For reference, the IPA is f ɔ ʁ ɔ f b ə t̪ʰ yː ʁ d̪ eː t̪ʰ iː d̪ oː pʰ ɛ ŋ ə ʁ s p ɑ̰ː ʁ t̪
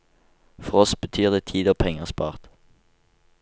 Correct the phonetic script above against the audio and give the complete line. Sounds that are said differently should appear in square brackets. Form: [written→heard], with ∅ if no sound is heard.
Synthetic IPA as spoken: f ɔ ʁ ɔ [f→s] b ə t̪ʰ yː ʁ d̪ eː t̪ʰ iː d̪ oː pʰ ɛ ŋ ə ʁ s p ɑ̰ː ʁ t̪

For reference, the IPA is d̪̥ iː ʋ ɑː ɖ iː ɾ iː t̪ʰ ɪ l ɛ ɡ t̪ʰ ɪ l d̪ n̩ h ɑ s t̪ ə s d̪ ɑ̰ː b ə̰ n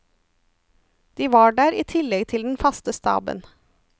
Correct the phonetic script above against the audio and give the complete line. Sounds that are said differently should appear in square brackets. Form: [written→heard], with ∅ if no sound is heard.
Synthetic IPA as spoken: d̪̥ iː ʋ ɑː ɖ [iː→æː] ɾ iː t̪ʰ ɪ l ɛ ɡ t̪ʰ ɪ l d̪ n̩ [h→f] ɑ s t̪ ə s [d̪→t̪] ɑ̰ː b ə̰ n

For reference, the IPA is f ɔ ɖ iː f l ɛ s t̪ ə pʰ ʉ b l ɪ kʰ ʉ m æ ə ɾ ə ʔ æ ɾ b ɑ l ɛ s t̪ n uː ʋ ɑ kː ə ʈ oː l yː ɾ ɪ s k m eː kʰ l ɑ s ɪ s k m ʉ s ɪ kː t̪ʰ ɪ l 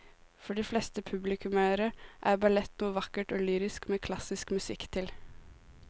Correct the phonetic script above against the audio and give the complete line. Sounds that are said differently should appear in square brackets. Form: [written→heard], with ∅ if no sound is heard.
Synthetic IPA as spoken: f ɔ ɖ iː f l ɛ s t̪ ə pʰ ʉ b l ɪ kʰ ʉ m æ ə ɾ ə ʔ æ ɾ b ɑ l ɛ [s→∅] t̪ n uː ʋ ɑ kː ə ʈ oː l yː ɾ ɪ s k m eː kʰ l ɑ s ɪ s k m ʉ s ɪ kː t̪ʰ ɪ l

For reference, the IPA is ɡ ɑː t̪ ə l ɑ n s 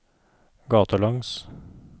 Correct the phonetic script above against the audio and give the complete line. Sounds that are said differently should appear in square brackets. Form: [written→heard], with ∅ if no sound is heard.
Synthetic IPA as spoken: ɡ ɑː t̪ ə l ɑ [n→ŋ] s

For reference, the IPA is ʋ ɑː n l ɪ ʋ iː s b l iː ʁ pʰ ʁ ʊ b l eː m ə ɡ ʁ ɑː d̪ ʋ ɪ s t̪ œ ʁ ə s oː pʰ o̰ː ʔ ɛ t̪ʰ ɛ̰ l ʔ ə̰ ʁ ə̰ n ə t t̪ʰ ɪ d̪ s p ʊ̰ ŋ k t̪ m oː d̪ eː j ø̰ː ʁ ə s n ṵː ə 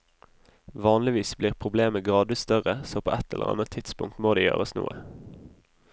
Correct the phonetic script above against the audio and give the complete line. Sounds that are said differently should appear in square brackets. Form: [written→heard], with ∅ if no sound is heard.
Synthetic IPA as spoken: ʋ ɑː n l ɪ ʋ iː s b l iː ʁ pʰ ʁ ʊ b l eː m ə ɡ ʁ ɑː d̪ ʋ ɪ s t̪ œ ʁ ə s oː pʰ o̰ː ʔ ɛ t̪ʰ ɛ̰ l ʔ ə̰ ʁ [ə̰→ɑ̰] n ə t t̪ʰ ɪ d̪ s p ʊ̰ ŋ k t̪ m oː d̪ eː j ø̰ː ʁ ə s n ṵː ə

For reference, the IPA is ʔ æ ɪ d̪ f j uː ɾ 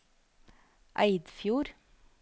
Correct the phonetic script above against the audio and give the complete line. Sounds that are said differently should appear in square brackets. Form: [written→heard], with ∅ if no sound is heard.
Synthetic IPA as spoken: ʔ æ ɪ d̪ f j uː ɾ

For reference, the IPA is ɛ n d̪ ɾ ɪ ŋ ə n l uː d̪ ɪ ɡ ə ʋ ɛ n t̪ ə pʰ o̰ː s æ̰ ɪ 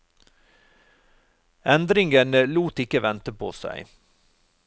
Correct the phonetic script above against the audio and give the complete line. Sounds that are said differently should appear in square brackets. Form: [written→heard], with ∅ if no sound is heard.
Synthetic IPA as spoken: ɛ n d̪ ɾ ɪ ŋ ə n l uː [d̪→t̪] ɪ [ɡ→k] ə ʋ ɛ n t̪ ə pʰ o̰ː s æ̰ ɪ

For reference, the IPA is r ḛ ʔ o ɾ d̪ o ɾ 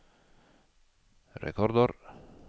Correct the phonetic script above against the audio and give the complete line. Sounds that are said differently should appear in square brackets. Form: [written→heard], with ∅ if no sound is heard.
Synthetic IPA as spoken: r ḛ [ʔ→k] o ɾ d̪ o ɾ

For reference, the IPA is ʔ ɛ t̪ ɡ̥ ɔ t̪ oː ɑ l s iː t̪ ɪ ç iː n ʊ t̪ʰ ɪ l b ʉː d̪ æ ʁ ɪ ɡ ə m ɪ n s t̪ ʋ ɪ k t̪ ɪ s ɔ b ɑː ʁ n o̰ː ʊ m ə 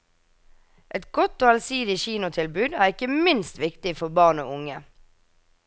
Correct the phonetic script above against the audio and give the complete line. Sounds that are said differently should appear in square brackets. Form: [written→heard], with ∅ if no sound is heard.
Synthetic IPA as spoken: ʔ ɛ t̪ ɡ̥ ɔ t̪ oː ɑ l s iː [t̪→d̪] ɪ ç iː n ʊ t̪ʰ ɪ l b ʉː d̪ [æ→æː] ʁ ɪ [ɡ→k] ə m ɪ n s t̪ ʋ ɪ k t̪ ɪ [s→f] ɔ b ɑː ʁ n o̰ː ʊ [m→ŋ] ə

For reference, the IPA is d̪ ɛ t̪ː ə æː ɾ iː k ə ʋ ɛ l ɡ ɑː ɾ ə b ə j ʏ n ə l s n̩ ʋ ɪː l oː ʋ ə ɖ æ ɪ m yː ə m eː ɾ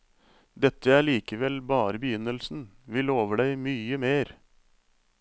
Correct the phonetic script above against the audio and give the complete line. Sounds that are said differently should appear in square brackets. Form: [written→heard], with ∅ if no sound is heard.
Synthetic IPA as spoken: d̪ ɛ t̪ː ə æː [ɾ→ɭ] iː k ə ʋ ɛ l [ɡ→b] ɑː ɾ ə b ə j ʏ n ə l s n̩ ʋ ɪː l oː ʋ ə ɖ æ ɪ m yː ə m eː ɾ

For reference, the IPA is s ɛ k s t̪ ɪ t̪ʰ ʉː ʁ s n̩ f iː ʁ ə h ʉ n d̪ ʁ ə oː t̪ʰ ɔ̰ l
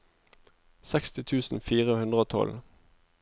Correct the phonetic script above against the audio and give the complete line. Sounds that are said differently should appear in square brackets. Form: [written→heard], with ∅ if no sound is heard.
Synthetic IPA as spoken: s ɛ k s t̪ ɪ t̪ʰ ʉː [ʁ→∅] s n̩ f iː ʁ ə h ʉ n d̪ ʁ ə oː t̪ʰ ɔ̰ l

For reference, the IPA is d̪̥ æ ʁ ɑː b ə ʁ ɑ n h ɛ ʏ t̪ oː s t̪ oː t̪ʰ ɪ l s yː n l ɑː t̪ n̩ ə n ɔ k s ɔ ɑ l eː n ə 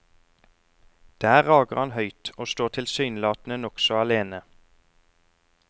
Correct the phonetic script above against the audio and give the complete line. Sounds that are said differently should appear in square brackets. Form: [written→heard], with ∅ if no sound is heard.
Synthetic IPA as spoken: d̪̥ [æ→æː] ʁ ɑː [b→ɡ] ə ʁ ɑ n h [ɛ→œ] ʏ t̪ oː s t̪ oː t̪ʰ ɪ l s yː n l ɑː t̪ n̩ ə n ɔ k s ɔ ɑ l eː n ə

